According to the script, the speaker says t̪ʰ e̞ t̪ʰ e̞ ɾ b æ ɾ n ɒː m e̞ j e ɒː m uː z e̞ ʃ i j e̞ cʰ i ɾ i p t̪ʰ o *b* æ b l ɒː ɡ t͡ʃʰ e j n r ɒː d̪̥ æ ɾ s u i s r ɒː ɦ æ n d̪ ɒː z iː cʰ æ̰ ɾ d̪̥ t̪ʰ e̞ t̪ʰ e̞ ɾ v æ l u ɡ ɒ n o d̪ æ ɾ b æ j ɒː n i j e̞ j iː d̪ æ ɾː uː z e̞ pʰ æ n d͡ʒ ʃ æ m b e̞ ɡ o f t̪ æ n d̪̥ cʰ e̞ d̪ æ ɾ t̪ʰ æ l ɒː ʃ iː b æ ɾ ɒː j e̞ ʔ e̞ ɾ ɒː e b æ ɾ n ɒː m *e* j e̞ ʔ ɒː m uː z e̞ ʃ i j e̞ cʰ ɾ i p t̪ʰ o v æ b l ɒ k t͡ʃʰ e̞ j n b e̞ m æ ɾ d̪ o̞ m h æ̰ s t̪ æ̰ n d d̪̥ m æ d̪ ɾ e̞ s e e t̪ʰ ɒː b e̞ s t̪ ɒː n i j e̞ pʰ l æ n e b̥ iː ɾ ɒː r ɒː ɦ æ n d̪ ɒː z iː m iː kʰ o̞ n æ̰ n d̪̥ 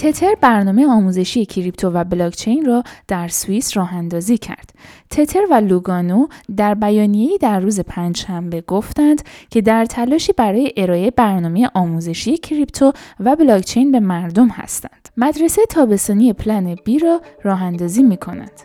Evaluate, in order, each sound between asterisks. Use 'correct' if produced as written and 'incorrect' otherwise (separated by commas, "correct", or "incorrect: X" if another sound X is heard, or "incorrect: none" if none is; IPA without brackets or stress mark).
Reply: incorrect: v, correct